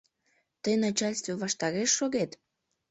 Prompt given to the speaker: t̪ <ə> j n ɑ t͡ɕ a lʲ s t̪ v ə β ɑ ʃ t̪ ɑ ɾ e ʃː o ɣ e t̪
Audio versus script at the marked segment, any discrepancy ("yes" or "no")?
no